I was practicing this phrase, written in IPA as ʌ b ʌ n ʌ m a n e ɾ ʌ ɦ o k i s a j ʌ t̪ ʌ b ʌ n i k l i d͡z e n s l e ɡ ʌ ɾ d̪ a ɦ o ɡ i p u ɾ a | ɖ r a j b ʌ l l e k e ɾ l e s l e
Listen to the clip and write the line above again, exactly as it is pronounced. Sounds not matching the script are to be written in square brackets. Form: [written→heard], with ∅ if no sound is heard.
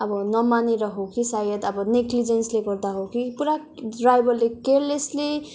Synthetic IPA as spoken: ʌ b ʌ n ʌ m a n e ɾ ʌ ɦ o k i s a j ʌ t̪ ʌ b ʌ n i k l i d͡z e n s l e ɡ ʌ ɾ d̪ a ɦ o [ɡ→k] i p u ɾ a | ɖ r a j b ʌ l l e k e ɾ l e s l e